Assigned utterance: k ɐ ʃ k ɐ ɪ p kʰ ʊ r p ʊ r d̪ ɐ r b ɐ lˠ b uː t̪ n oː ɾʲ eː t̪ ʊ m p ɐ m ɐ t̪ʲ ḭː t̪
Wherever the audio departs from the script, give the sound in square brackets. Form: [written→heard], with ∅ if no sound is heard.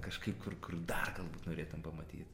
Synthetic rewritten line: k ɐ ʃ k ɐ ɪ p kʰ ʊ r [p→k] ʊ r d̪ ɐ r [b→ɡ] ɐ lˠ b uː t̪ n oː ɾʲ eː t̪ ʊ m p ɐ m ɐ t̪ʲ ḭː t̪